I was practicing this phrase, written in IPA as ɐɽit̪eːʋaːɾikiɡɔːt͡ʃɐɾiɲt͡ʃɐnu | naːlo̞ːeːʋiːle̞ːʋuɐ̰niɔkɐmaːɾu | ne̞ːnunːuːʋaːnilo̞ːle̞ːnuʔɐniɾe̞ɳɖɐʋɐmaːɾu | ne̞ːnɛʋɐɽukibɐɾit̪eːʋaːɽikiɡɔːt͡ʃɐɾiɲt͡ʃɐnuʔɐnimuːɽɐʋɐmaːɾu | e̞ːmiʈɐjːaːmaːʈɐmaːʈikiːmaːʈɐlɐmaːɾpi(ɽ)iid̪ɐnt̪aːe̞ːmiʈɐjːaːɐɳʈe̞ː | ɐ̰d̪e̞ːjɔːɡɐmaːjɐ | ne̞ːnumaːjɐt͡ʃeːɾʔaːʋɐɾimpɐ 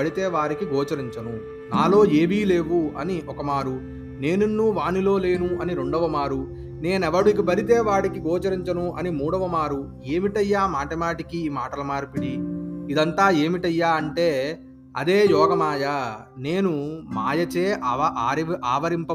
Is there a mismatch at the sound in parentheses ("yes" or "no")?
no